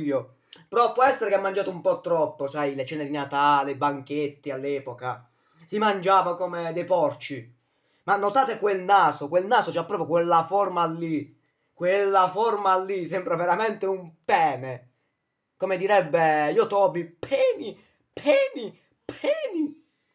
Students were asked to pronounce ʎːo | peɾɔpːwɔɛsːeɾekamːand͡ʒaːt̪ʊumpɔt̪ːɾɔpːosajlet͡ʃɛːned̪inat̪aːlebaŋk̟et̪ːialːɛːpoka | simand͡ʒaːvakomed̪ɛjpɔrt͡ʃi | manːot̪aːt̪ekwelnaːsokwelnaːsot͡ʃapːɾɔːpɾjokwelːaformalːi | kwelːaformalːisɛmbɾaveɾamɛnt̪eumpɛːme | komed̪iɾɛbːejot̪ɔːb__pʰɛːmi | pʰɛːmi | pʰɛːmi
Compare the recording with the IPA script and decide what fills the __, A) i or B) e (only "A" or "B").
A